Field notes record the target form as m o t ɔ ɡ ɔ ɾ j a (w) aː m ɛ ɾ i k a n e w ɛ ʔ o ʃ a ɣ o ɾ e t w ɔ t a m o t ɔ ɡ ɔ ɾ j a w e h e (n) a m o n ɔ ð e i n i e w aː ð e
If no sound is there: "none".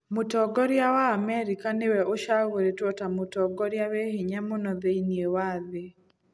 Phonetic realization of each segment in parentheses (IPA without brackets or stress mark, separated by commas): w, ɲ